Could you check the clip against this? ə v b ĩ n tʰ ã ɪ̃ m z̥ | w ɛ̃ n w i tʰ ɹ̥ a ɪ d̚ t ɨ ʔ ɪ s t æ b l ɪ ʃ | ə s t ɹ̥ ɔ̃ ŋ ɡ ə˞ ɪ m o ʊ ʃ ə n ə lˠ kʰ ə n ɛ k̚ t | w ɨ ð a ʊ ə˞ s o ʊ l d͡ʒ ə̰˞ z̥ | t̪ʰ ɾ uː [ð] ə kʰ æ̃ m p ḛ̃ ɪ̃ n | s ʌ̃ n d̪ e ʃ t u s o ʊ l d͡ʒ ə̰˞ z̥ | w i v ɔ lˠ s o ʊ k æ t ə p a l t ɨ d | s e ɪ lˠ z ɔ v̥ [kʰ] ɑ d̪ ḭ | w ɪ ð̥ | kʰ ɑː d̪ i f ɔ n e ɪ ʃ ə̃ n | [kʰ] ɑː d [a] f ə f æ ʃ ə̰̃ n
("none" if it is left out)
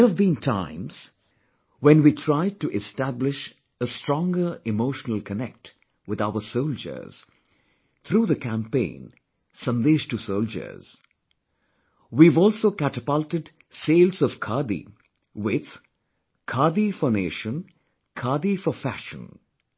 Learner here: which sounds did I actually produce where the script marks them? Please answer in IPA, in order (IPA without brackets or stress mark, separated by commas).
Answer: ð, kʰ, kʰ, i